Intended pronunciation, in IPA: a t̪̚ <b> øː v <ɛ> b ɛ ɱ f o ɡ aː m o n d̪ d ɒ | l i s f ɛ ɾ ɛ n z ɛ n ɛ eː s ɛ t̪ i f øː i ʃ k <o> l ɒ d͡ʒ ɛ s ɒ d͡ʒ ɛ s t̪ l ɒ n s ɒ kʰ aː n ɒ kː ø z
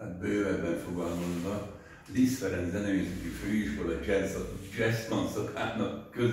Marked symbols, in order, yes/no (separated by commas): yes, yes, yes